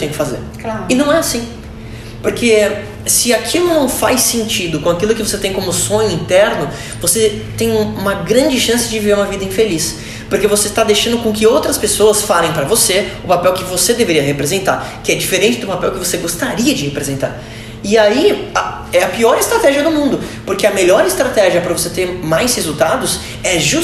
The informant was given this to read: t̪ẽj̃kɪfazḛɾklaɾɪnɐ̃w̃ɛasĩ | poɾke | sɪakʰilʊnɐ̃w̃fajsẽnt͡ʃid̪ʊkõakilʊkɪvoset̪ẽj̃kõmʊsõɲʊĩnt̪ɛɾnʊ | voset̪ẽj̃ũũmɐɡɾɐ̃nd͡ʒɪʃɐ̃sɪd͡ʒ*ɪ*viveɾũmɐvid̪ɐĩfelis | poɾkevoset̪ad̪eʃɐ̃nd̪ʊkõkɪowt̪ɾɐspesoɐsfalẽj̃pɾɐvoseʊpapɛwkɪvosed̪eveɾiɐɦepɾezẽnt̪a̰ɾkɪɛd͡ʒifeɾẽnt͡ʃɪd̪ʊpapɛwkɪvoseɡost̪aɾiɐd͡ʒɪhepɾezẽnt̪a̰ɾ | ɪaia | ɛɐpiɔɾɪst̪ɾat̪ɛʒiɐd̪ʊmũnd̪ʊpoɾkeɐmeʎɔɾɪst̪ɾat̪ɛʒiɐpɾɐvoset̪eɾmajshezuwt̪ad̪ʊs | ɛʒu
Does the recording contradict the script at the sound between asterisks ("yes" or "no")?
no